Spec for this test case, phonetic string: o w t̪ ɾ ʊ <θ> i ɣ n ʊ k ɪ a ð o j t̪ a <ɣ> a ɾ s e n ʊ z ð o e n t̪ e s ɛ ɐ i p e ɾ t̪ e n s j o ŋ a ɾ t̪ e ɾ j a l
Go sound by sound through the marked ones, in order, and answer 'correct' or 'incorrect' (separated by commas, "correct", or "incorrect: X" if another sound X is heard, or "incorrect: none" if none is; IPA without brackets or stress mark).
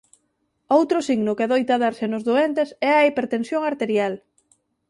incorrect: s, incorrect: ð